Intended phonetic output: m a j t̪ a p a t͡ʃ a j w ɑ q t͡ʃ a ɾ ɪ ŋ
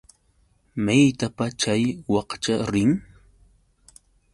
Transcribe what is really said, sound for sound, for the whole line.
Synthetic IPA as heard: m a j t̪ a p a t͡ʃ a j w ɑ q t͡ʃ a ɾ ɪ ŋ